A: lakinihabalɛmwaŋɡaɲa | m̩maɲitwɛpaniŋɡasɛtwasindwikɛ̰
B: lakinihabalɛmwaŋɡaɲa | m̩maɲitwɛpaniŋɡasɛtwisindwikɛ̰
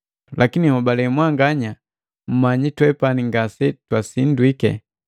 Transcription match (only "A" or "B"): A